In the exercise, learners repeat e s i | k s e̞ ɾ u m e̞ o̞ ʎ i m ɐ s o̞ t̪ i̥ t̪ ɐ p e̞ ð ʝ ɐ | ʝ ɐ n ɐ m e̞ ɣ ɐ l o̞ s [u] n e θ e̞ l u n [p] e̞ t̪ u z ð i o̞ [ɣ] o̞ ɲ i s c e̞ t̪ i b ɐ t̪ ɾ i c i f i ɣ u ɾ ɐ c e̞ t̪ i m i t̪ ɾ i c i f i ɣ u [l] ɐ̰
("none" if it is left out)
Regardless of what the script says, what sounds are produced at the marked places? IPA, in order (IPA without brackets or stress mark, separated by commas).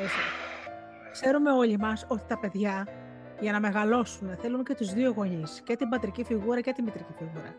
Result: u, c, ɣ, ɾ